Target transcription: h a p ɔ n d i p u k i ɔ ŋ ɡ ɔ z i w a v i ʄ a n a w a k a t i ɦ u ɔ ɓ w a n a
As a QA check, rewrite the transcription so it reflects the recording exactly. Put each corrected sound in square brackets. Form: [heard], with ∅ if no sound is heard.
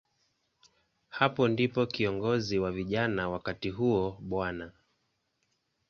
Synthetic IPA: h a p ɔ n d i p [ɔ] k i ɔ ŋ ɡ ɔ z i w a v i ʄ a n a w a k a t i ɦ u ɔ ɓ w a n a